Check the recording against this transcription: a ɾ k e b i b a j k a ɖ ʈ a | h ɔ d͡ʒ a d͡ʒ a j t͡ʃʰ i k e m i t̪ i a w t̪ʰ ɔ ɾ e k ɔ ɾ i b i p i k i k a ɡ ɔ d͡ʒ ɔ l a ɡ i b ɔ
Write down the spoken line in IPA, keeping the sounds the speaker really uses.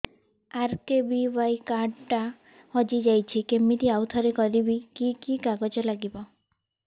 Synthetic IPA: a ɾ k e b i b a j k a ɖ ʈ a | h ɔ d͡ʒ i d͡ʒ a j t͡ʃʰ i k e m i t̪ i a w t̪ʰ ɔ ɾ e k ɔ ɾ i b i k i k i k a ɡ ɔ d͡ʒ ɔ l a ɡ i b ɔ